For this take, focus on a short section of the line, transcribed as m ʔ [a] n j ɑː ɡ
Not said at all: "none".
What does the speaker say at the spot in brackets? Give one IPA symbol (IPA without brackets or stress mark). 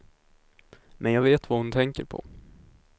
ɛ